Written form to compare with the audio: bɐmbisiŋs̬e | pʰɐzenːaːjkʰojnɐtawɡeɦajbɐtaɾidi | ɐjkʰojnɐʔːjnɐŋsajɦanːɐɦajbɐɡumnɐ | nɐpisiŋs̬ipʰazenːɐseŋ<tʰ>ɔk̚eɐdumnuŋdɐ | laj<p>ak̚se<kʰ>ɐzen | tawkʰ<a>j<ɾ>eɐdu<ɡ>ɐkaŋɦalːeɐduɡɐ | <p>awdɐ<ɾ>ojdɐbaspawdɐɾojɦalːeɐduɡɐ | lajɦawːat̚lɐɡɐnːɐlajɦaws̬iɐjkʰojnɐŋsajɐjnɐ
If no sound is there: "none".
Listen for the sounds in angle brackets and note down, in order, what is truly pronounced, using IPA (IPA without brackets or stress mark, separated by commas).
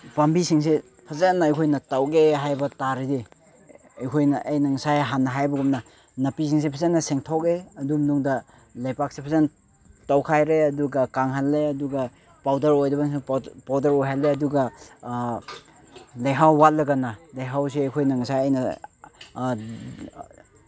tʰ, p, pʰ, a, ɾ, ɡ, p, ɾ